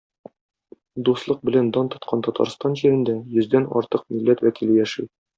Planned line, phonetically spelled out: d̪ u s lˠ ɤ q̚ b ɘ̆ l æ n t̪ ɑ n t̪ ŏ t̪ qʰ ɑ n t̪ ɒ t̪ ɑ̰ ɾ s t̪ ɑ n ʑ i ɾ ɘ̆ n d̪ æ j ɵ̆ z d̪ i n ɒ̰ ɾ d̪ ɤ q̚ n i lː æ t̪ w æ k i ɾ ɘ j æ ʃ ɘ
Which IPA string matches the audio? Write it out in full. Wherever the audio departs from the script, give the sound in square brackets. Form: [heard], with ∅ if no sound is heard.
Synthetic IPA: d̪ u s lˠ ɤ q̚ b ɘ̆ l æ n [d̪] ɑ n t̪ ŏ t̪ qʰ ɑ n t̪ ɒ t̪ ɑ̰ ɾ s t̪ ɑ n ʑ i ɾ ɘ̆ n d̪ æ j ɵ̆ z d̪ [æ] n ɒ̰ ɾ [t̪] ɤ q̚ [m] i lː æ t̪ w æ k i [l] ɘ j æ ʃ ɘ